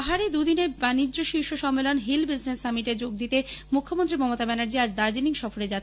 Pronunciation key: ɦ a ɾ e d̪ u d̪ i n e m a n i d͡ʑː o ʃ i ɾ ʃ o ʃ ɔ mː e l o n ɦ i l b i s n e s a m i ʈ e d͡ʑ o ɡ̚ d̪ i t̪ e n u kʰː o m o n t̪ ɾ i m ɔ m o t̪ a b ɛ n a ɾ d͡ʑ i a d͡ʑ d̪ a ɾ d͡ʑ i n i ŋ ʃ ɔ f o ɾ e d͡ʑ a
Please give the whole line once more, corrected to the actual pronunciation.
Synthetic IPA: ɦ a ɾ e d̪ u d̪ i n e b a n i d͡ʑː o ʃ i ɾ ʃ o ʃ ɔ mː e l o n ɦ i l b i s n e s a m i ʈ e d͡ʑ o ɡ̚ d̪ i t̪ e m u kʰː o m o n t̪ ɾ i m ɔ m o t̪ a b ɛ n a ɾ d͡ʑ i a d͡ʑ d̪ a ɾ d͡ʑ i n i ŋ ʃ ɔ f o ɾ e d͡ʑ a